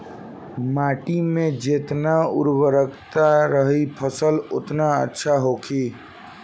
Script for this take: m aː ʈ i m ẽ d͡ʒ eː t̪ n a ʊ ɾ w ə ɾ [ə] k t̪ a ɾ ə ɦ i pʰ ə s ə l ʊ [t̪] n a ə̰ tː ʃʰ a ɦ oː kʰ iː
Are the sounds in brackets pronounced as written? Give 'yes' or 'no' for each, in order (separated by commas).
yes, yes